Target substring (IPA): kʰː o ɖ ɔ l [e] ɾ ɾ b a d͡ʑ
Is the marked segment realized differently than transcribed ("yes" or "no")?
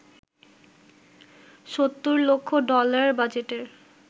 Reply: yes